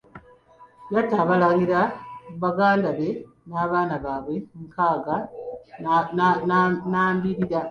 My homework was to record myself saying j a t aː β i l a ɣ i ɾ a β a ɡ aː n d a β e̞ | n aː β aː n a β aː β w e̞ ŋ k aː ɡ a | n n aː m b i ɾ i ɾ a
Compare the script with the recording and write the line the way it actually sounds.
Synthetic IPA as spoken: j a t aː β a l a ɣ i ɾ a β a ɡ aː n d a β e̞ | n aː β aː n a β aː β w e̞ ŋ k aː ɡ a | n n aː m b i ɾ i ɾ a